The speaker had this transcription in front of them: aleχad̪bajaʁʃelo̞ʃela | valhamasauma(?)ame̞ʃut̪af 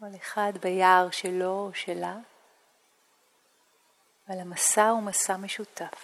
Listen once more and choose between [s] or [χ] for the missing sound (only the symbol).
s